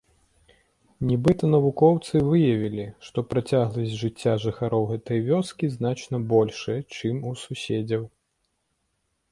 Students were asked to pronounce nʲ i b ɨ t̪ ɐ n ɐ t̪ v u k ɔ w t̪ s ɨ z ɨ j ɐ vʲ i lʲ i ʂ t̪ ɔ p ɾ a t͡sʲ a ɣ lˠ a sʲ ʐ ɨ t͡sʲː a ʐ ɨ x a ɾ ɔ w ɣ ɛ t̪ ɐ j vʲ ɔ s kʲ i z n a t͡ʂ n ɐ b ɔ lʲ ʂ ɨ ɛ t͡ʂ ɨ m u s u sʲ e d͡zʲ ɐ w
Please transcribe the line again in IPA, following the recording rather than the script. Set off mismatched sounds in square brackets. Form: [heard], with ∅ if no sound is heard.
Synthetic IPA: nʲ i b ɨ t̪ ɐ n ɐ [∅] v u k ɔ w t̪ s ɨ [v] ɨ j ɐ vʲ i lʲ i ʂ t̪ ɔ p ɾ a t͡sʲ a ɣ lˠ [ɐ] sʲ ʐ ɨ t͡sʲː a ʐ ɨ x a ɾ ɔ w ɣ ɛ t̪ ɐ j vʲ ɔ s kʲ i z n a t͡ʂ n ɐ b ɔ lʲ ʂ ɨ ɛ t͡ʂ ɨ m u s u sʲ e d͡zʲ ɐ w